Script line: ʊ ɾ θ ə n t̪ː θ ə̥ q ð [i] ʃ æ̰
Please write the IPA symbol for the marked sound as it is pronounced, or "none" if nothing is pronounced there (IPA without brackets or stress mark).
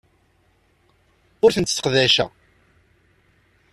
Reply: æ